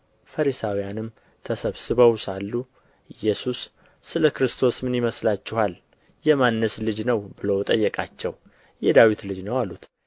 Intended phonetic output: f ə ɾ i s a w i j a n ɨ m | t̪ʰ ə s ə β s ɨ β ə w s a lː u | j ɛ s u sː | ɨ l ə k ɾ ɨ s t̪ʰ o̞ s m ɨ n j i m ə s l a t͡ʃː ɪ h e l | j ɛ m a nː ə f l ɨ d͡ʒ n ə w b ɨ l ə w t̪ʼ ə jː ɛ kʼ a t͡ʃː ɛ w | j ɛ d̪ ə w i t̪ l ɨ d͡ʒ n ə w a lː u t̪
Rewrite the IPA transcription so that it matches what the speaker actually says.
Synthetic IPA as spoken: f ə ɾ i s a w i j a n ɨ m | t̪ʰ ə s ə β s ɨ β ə w s a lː u | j ɛ s u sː | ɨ l ə k ɾ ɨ s t̪ʰ o̞ s m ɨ n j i m ə s l a t͡ʃː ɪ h a l | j ɛ m a nː ə s l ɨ d͡ʒ n ə w b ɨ l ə w t̪ʼ ə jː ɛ kʼ a t͡ʃː ɛ w | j ɛ d̪ a w i t̪ l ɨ d͡ʒ n ə w a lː u t̪